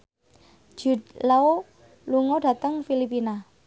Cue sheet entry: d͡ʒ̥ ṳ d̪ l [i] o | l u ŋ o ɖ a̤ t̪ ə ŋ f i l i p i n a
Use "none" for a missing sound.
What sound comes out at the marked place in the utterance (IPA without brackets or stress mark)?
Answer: a